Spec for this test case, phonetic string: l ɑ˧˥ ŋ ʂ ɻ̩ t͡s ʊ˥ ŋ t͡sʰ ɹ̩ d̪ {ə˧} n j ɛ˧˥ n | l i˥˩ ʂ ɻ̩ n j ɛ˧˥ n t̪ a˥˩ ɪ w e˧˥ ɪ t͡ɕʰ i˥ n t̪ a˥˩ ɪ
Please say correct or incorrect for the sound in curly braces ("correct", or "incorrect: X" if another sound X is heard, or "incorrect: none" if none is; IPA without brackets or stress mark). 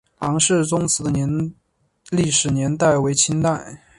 correct